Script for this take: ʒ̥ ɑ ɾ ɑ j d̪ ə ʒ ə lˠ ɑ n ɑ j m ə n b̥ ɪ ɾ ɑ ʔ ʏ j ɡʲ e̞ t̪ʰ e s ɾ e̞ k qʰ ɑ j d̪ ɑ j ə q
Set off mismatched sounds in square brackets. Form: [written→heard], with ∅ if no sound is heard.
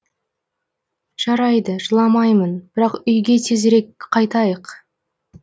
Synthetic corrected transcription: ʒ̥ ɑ ɾ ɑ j d̪ ə ʒ ə lˠ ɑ [n→m] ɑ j m ə n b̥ ɪ ɾ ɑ [ʔ→q] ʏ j ɡʲ e̞ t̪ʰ e [s→z] ɾ e̞ k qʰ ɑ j [d̪→t̪] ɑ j ə q

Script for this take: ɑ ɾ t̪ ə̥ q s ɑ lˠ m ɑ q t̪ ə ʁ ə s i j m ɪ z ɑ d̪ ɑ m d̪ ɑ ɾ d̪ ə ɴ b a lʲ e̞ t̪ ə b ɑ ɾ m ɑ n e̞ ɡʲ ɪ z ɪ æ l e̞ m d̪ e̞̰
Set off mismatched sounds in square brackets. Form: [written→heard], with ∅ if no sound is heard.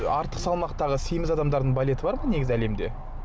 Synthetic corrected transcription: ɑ ɾ t̪ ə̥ q s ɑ lˠ m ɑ q t̪ [ə→ɑ] ʁ ə s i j m ɪ z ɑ d̪ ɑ m d̪ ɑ ɾ d̪ ə ɴ b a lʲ e̞ t̪ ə b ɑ ɾ m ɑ n e̞ ɡʲ ɪ z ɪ æ l e̞ m d̪ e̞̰

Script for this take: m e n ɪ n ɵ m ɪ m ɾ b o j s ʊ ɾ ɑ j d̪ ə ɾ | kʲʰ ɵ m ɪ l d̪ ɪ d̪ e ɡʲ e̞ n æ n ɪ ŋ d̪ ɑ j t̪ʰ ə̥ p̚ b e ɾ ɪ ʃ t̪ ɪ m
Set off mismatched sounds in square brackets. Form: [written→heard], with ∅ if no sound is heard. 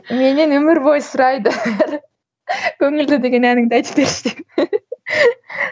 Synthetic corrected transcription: m e n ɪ n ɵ m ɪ [m→∅] ɾ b o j s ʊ ɾ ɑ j d̪ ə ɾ | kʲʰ ɵ [m→ŋ] ɪ l d̪ ɪ d̪ e ɡʲ e̞ n æ n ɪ ŋ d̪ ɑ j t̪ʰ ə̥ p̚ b e ɾ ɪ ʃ t̪ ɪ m

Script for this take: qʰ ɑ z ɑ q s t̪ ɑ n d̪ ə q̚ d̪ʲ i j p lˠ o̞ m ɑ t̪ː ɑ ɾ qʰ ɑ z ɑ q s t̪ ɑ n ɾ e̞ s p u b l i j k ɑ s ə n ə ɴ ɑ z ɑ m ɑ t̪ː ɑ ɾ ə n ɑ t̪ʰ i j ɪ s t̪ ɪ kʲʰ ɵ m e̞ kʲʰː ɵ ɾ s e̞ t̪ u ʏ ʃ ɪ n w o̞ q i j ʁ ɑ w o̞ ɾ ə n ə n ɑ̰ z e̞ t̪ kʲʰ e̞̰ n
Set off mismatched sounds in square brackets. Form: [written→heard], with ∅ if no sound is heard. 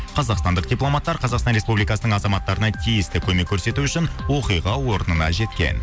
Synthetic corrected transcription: qʰ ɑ z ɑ q s t̪ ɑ n d̪ ə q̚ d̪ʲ i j p lˠ o̞ m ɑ t̪ː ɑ ɾ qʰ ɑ z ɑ q s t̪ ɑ n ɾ e̞ s p u b l i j k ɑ s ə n ə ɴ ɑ z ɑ m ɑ t̪ː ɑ ɾ ə n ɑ t̪ʰ i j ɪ s t̪ ɪ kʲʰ ɵ m e̞ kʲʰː ɵ ɾ s e̞ t̪ u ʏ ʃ ɪ n w o̞ q i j ʁ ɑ w o̞ ɾ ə n ə n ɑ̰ [z→ʒ] e̞ t̪ [kʲʰ→kʲ] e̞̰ n

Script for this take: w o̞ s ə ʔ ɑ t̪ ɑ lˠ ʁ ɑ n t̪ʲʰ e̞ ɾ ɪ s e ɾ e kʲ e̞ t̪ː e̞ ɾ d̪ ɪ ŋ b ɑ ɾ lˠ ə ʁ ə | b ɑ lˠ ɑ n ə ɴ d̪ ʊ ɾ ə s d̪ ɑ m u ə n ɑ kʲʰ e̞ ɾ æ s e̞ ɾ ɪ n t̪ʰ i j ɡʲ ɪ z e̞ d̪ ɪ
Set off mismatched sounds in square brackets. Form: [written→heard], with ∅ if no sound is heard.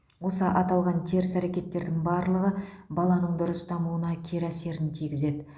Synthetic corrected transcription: w o̞ s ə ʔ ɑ t̪ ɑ lˠ ʁ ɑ n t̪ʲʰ e̞ ɾ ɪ s [e→æ] ɾ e kʲ e̞ t̪ː e̞ ɾ d̪ ɪ ŋ b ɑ ɾ lˠ ə ʁ ə | b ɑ lˠ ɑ n ə ɴ d̪ ʊ ɾ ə s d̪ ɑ m u ə n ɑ kʲʰ e̞ ɾ æ s e̞ ɾ ɪ n t̪ʰ i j ɡʲ ɪ z e̞ d̪ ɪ

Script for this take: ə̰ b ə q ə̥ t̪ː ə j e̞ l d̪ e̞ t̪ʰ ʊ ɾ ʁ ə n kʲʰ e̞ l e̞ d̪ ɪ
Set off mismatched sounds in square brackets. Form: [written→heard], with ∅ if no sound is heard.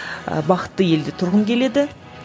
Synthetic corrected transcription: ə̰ b [ə→ɑ] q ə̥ t̪ː ə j e̞ l d̪ e̞ t̪ʰ ʊ ɾ ʁ ə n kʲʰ e̞ l e̞ d̪ ɪ

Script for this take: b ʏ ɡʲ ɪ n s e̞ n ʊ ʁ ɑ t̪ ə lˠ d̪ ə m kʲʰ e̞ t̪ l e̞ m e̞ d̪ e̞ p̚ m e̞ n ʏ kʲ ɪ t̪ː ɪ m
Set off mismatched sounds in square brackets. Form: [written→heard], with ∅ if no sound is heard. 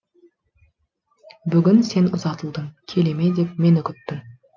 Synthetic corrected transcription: b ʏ ɡʲ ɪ n s e̞ n ʊ [ʁ→z] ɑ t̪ ə lˠ d̪ ə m kʲʰ e̞ [t̪→∅] l e̞ m e̞ d̪ e̞ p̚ m e̞ n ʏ kʲ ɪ t̪ː ɪ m

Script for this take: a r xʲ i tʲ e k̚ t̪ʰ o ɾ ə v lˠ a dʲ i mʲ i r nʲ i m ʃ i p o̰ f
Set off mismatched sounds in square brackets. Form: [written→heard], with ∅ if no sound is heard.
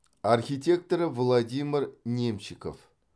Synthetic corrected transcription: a r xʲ i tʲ e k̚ [t̪ʰ→t̪] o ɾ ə v lˠ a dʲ i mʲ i r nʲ [i→e] m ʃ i [p→k] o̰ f

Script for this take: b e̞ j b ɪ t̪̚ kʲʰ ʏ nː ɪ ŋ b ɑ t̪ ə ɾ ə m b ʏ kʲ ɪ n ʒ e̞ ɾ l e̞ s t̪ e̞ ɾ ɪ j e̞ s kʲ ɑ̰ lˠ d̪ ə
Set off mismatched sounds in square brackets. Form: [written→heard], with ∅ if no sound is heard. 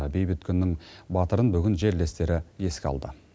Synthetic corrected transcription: b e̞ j b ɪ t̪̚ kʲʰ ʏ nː ɪ ŋ b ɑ t̪ ə ɾ ə [m→n] b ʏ [kʲ→ɡʲ] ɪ n ʒ e̞ ɾ l e̞ s t̪ e̞ ɾ ɪ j e̞ s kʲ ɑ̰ lˠ d̪ ə

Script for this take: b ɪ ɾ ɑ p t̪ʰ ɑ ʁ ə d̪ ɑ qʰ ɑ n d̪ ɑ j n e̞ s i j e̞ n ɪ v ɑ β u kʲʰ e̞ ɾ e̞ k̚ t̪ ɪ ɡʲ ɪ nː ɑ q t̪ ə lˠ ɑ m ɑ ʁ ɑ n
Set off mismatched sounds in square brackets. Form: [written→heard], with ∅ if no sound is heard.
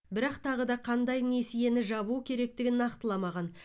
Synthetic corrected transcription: b ɪ ɾ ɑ [p→q] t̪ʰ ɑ ʁ ə d̪ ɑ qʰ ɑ n d̪ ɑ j n e̞ s i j e̞ n ɪ [v→ʒ] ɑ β u kʲʰ e̞ ɾ e̞ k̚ t̪ ɪ ɡʲ ɪ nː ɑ q t̪ ə lˠ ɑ m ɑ ʁ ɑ n

